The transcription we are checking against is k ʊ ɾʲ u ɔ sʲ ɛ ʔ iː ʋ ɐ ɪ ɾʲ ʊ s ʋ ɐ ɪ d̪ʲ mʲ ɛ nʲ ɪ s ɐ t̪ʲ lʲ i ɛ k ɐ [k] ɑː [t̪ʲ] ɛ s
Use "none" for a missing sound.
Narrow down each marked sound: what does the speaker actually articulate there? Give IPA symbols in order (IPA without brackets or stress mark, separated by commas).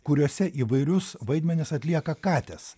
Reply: k, t̪ʲ